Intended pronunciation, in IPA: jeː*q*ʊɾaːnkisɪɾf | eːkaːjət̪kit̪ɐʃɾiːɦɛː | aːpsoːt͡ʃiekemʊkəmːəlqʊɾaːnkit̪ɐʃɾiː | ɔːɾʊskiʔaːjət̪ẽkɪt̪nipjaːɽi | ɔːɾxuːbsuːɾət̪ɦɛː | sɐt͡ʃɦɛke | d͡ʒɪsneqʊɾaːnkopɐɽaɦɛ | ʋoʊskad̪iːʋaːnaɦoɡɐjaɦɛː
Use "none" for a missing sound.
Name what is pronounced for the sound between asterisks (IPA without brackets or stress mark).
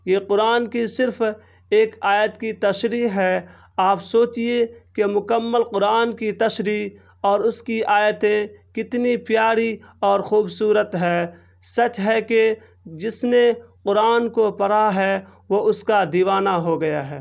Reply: q